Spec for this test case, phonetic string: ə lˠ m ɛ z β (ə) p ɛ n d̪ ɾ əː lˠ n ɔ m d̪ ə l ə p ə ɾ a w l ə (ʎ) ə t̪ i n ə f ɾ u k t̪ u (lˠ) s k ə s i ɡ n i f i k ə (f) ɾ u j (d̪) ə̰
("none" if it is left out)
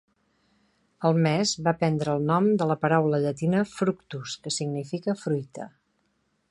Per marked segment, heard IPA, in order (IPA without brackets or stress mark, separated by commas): a, ʎ, none, f, t̪